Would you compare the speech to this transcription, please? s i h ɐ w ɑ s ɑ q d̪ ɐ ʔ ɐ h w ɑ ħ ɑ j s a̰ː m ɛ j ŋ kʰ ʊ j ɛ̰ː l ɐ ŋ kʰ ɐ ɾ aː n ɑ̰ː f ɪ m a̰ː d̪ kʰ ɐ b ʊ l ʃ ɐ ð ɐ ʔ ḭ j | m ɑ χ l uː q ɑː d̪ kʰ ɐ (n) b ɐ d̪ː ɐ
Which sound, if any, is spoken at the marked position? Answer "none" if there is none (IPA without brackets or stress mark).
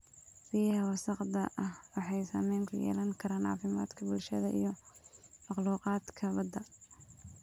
none